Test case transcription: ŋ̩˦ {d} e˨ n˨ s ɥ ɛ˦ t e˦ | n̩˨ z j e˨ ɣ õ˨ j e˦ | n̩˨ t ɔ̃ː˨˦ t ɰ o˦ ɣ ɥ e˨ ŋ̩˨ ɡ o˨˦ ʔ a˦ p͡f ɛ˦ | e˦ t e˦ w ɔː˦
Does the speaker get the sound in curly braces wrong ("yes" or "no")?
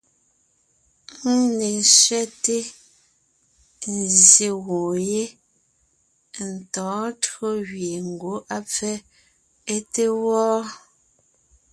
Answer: yes